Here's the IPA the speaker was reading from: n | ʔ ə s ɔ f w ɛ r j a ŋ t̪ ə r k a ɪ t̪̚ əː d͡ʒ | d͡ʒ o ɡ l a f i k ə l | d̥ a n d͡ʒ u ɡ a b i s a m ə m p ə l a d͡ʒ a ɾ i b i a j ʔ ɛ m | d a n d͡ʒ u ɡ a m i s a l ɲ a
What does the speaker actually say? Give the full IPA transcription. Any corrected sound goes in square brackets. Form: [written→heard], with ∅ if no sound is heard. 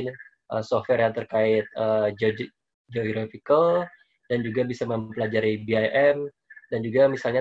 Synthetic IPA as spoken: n | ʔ ə s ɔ f w ɛ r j a ŋ t̪ ə r k a ɪ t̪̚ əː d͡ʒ | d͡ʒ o ɡ [l→ɾ] a f i k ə l | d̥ a n d͡ʒ u ɡ a b i s a m ə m p ə l a d͡ʒ a ɾ i b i a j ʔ ɛ m | d a n d͡ʒ u ɡ a m i s a l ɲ a